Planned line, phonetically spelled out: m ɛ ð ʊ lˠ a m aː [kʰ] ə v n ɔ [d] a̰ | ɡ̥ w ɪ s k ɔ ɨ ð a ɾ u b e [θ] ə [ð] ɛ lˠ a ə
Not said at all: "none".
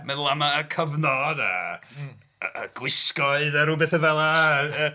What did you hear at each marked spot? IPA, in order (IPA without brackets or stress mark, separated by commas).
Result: kʰ, d, θ, v